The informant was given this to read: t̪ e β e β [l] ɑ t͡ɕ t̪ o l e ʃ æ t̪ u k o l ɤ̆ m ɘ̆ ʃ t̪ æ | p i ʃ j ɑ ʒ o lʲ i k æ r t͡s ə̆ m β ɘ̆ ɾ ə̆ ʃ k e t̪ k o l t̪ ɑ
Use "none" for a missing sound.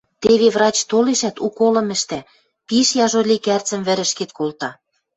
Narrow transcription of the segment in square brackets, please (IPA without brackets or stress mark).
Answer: r